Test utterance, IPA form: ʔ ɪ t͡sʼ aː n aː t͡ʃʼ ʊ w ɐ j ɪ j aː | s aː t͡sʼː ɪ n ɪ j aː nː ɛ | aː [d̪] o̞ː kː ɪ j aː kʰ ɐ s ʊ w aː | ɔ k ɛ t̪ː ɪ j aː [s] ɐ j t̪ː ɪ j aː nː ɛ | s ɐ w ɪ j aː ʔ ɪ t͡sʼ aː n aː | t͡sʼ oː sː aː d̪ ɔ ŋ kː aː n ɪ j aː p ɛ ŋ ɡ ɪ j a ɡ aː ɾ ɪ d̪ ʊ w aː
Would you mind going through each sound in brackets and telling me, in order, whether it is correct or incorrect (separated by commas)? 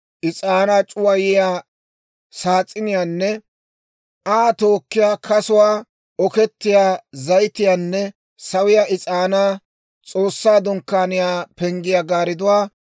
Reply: incorrect, incorrect